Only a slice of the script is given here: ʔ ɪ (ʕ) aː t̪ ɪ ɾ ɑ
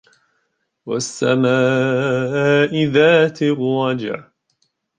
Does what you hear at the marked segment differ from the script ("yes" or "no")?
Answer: yes